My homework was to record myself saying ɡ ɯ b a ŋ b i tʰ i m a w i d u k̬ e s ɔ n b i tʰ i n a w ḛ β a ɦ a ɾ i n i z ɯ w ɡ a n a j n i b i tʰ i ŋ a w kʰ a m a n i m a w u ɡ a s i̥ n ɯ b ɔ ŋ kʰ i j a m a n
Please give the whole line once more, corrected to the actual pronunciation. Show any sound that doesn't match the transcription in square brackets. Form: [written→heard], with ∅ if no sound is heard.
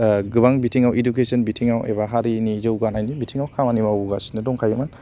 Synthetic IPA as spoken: ɡ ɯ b a ŋ b i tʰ i [m→ŋ] a w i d u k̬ e s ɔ n b i tʰ i [n→ŋ] a w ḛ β a ɦ a ɾ i n i z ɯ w ɡ a n a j n i b i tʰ i ŋ a w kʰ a m a n i m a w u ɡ a s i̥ n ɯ [b→d] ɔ ŋ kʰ [i→a] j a m a n

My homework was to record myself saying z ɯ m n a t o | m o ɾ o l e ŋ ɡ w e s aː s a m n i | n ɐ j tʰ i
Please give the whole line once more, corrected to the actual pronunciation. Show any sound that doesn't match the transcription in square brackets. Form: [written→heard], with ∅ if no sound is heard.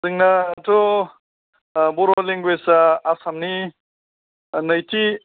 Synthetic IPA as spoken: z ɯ [m→ŋ] n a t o | [m→b] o ɾ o l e ŋ ɡ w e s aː s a m n i | n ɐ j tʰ i

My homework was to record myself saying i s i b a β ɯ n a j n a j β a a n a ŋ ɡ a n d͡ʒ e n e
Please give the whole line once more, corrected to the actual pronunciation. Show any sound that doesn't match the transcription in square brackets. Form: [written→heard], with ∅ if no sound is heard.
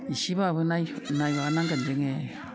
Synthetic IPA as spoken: i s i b a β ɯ n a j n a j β a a n a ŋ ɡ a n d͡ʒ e [n→ŋ] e

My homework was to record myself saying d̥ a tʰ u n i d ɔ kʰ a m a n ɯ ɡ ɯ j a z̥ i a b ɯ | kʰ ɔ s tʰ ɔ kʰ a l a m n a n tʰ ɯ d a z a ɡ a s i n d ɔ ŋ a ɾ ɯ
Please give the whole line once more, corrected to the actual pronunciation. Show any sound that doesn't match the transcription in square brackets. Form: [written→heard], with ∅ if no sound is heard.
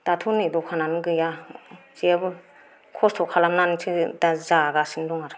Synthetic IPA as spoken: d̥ a tʰ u n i d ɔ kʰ a [m→n] a n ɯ ɡ ɯ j a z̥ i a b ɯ | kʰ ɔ s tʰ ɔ kʰ a l a m n a n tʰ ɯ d a z a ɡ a s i n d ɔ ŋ a ɾ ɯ

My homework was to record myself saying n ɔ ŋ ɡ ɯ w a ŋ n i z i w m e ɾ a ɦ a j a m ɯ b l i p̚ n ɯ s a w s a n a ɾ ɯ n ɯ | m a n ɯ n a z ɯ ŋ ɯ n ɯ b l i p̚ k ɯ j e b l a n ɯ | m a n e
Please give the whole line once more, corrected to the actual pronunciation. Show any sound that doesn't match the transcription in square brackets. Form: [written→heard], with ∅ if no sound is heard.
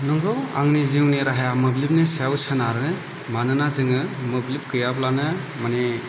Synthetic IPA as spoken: n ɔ ŋ ɡ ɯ w a ŋ n i z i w [m→n] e ɾ a ɦ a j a m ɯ b l i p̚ n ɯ s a w s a n a ɾ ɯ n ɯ | m a n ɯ n a z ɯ ŋ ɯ [n→m] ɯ b l i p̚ k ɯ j [e→a] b l a n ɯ | m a n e

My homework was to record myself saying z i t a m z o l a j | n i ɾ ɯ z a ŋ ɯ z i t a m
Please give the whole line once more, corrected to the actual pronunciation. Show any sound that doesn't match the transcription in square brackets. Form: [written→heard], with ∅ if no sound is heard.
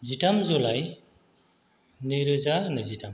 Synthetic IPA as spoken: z i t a m z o l a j | n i ɾ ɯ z a [ŋ→n] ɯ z i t a m

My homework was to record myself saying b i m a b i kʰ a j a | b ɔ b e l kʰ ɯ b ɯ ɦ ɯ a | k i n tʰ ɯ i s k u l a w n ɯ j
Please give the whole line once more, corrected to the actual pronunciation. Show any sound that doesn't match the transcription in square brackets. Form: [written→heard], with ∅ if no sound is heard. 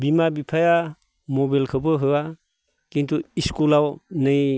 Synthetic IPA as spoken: b i m a b i [kʰ→pʰ] a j a | [b→m] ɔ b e l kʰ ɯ b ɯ ɦ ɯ a | k i n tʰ [ɯ→u] i s k u l a w n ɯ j

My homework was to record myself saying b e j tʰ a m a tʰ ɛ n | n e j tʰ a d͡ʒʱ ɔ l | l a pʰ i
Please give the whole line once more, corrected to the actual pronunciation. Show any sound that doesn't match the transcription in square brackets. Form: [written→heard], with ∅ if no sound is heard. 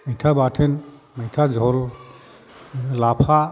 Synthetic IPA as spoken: [b→m] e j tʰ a [m→b] a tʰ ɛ n | [n→m] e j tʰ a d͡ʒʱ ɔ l | l a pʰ [i→a]

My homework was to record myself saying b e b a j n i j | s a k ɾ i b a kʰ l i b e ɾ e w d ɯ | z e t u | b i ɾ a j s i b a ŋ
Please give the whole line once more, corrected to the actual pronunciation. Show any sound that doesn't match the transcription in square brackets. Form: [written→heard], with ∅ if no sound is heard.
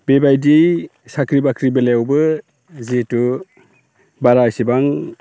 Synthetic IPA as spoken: b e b a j [n→d] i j | s a k ɾ i b a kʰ [l→ɾ] i b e [ɾ→l] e w [d→b] ɯ | z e t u | b [i→a] ɾ a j s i b a ŋ

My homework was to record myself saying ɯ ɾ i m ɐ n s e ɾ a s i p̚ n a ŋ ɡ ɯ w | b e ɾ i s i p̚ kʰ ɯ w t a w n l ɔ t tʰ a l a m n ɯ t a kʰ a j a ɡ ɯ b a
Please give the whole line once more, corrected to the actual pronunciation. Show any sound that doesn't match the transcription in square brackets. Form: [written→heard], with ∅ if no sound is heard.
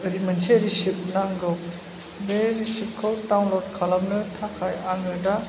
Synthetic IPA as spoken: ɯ ɾ i m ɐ n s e ɾ [a→i] s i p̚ n a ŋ ɡ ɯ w | b e ɾ i s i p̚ kʰ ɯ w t a w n l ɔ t [tʰ→kʰ] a l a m n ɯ [t→tʰ] a kʰ a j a [ɡ→ŋ] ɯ [b→d] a

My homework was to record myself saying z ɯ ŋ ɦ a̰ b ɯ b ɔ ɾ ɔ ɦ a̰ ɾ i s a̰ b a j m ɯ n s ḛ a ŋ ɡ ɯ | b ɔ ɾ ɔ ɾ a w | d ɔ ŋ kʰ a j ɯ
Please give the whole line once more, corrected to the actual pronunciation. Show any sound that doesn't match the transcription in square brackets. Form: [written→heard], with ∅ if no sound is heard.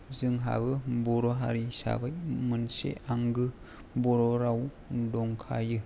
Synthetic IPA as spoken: z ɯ ŋ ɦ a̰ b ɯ b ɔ ɾ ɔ ɦ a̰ ɾ i s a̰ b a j m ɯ n s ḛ a ŋ ɡ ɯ | b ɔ ɾ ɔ ɾ a w | d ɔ ŋ kʰ a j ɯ

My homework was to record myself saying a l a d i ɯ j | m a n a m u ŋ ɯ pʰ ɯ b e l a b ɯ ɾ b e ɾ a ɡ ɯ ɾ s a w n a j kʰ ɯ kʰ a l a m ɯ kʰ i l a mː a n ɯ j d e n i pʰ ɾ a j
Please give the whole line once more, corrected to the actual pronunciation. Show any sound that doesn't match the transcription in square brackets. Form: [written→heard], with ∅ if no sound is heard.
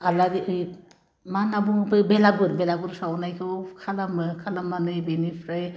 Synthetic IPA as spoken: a l a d i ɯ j | m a n a [m→b] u ŋ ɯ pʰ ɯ b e l a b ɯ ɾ b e [ɾ→l] a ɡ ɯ ɾ s a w n a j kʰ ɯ kʰ a l a m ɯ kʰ [i→a] l a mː a n ɯ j [d→b] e n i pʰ ɾ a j

